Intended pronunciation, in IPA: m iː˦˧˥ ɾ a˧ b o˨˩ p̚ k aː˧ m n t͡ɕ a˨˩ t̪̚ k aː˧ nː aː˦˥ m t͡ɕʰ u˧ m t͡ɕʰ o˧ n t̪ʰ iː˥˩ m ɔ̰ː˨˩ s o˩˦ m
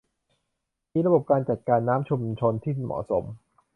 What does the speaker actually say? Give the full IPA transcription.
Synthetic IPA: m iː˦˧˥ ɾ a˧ b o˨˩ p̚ k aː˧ n t͡ɕ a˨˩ t̪̚ k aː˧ nː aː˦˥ m t͡ɕʰ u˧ m t͡ɕʰ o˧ n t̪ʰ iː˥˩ m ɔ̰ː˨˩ s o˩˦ m